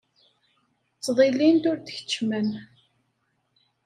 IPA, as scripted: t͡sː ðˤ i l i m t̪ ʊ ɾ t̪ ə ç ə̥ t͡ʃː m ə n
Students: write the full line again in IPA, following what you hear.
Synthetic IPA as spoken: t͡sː ðˤ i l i n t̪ ʊ ɾ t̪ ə ç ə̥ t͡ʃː m ə n